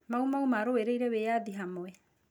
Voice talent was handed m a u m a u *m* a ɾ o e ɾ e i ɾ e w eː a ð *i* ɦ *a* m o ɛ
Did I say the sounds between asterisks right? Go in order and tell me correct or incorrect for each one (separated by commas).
correct, correct, correct